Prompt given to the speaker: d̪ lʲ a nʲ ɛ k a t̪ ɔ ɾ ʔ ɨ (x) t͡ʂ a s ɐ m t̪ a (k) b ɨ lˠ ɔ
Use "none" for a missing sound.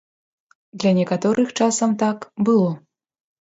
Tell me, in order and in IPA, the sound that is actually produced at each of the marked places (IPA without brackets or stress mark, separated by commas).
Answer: x, k